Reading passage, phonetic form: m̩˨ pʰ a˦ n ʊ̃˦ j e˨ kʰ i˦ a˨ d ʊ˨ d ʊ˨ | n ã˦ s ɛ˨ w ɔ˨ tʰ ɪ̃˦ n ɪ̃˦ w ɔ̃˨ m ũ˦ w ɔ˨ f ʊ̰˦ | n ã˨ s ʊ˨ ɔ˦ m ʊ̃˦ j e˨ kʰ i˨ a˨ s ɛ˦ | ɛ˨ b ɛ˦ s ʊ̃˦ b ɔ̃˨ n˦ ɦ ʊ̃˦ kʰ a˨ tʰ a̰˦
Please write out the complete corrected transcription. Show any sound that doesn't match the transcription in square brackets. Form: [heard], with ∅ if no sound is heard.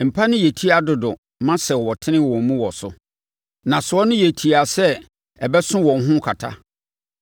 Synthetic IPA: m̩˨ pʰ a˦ n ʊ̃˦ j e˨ [tʰ] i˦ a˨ d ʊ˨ d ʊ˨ | [m] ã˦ s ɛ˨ w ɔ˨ tʰ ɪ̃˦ n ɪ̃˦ w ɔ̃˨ m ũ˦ w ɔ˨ [s] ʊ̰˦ | n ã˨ s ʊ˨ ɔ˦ [n] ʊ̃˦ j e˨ [tʰ] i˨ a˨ s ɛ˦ | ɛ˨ b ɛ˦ s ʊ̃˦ [w] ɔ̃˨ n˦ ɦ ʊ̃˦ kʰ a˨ tʰ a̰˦